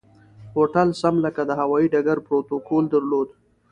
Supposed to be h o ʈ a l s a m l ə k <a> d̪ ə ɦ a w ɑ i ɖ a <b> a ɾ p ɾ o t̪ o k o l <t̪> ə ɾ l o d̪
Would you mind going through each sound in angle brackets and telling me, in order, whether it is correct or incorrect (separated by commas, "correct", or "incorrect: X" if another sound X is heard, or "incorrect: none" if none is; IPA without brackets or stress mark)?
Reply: correct, incorrect: ɡ, incorrect: d̪